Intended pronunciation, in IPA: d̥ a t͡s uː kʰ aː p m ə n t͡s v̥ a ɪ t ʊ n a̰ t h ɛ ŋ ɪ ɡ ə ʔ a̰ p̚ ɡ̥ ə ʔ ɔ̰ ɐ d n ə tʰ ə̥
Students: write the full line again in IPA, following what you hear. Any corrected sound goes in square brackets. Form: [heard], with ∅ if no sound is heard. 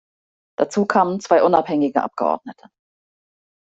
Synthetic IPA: d̥ a t͡s uː kʰ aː [∅] m ə n t͡s v̥ a ɪ [ʔ] ʊ n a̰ [p] h ɛ ŋ ɪ ɡ ə ʔ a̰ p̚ ɡ̥ ə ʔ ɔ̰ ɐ d n ə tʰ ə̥